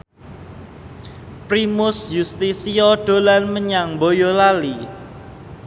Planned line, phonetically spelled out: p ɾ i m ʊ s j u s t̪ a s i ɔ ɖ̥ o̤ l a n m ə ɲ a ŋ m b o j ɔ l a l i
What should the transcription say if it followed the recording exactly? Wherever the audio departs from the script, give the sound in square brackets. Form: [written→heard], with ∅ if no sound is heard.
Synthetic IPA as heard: p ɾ i m ʊ s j u s t̪ [a→i] s i ɔ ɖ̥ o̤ l a n m ə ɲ a ŋ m b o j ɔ l a l i